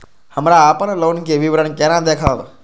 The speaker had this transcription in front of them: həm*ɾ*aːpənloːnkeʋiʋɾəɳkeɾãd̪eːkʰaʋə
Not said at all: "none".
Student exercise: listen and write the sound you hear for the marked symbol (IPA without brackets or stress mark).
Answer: ɾ